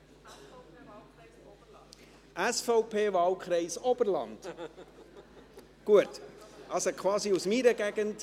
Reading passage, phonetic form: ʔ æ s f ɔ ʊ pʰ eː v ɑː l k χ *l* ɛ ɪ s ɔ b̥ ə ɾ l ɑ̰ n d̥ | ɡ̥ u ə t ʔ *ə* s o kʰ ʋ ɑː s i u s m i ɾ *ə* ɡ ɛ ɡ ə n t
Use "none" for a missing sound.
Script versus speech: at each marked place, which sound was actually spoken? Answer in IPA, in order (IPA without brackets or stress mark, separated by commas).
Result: ɾ, ɑ, ə